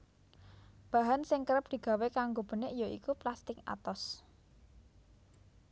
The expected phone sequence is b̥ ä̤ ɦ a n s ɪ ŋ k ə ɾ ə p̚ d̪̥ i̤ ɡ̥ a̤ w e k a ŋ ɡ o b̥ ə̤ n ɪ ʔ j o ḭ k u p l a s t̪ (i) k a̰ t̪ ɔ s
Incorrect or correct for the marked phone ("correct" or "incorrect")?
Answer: incorrect